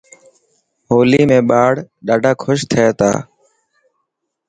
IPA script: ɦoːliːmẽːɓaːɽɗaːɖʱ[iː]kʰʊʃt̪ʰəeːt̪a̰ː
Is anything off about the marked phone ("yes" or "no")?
yes